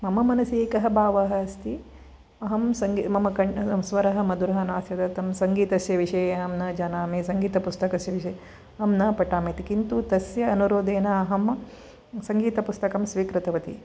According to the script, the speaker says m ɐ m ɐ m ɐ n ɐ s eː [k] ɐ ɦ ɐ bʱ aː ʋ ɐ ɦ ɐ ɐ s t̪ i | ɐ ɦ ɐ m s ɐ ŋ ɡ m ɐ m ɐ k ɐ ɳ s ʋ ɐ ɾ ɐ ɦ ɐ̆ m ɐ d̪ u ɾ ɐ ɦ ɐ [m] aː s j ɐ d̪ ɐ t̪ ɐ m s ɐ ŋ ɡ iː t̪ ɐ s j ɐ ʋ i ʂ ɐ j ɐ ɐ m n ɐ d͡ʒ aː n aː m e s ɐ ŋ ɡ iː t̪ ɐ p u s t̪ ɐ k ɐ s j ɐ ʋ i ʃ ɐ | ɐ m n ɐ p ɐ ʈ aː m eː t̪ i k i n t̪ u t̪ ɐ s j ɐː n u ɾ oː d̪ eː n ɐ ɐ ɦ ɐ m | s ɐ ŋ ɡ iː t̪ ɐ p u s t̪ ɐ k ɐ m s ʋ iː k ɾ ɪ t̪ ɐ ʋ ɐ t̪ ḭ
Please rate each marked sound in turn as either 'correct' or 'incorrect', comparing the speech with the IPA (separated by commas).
correct, incorrect